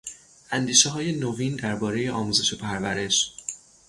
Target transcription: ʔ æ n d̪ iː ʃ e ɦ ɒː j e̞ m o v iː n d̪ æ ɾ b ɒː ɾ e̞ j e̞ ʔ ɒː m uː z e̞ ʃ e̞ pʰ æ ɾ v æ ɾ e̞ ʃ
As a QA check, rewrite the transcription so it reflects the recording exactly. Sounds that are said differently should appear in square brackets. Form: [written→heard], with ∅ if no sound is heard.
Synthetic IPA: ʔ æ n d̪ iː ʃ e ɦ ɒː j e̞ [m→n] o v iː n d̪ æ ɾ b ɒː ɾ e̞ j e̞ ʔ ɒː m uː z e̞ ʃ e̞ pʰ æ ɾ v æ ɾ e̞ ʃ